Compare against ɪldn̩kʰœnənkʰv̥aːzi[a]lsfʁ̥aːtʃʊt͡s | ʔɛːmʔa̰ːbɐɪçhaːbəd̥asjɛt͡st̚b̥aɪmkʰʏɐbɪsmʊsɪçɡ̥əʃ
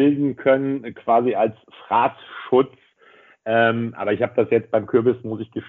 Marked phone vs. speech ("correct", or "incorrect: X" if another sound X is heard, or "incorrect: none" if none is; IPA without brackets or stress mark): correct